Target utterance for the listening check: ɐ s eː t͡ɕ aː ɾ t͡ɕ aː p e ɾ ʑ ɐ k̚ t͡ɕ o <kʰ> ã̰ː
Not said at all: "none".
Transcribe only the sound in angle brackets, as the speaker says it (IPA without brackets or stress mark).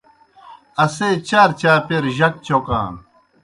k